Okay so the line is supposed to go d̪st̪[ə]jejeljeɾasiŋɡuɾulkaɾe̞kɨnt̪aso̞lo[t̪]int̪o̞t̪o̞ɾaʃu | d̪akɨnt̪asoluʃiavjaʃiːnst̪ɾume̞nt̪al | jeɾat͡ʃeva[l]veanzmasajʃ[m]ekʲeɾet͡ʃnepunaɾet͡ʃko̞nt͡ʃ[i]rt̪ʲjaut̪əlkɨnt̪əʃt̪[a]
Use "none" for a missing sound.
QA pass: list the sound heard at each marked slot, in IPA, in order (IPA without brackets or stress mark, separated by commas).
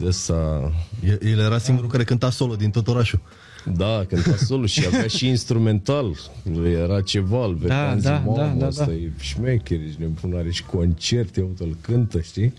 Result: a, d̪, l, m, e, i